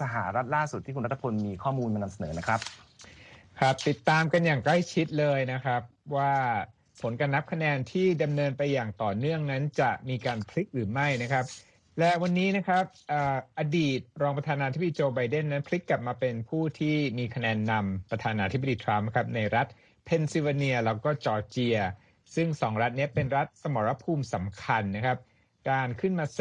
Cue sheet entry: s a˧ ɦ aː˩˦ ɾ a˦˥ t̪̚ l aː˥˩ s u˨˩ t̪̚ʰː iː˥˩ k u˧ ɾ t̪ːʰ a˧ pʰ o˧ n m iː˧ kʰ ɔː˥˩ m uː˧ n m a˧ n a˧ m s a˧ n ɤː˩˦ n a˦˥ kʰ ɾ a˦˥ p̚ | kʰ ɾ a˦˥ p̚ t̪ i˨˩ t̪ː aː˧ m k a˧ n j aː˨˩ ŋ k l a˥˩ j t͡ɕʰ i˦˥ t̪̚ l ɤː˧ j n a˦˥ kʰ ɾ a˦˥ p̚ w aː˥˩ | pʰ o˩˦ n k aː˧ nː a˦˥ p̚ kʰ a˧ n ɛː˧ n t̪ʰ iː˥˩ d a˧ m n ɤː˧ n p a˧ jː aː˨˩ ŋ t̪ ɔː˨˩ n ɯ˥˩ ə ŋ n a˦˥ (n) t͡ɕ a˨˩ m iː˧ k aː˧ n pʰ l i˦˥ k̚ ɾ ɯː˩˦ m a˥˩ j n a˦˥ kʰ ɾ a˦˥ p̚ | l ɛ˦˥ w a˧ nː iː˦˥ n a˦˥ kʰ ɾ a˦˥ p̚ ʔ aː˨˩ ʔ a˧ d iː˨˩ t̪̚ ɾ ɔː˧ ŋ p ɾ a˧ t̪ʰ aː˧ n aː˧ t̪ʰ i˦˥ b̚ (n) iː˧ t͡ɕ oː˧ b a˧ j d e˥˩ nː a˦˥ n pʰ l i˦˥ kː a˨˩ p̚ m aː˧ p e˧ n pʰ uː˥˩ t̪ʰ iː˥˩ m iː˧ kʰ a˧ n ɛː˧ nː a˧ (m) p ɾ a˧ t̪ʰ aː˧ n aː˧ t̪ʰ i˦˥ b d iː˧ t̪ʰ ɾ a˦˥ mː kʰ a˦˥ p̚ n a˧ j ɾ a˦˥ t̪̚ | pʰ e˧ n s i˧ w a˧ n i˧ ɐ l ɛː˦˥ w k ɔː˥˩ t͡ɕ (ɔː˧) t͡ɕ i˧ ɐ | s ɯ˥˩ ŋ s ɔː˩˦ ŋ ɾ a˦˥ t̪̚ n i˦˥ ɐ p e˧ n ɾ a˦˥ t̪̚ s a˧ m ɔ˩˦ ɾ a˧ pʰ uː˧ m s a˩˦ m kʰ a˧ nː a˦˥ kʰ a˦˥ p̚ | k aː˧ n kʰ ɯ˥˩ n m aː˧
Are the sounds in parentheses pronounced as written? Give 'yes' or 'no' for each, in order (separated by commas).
yes, no, yes, yes